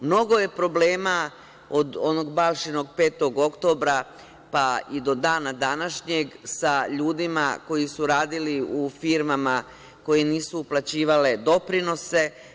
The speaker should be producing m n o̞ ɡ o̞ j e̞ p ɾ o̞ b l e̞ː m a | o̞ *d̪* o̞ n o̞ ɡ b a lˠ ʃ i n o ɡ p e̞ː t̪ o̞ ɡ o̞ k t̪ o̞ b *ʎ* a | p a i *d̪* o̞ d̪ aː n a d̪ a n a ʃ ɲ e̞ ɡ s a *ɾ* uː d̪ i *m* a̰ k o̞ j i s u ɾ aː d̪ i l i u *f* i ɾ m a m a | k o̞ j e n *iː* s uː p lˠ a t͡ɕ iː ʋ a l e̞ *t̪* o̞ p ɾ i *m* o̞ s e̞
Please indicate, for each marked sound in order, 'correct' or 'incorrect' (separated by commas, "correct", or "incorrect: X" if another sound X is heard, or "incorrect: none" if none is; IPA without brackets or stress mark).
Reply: correct, incorrect: ɾ, correct, incorrect: ʎ, correct, correct, correct, incorrect: d̪, incorrect: n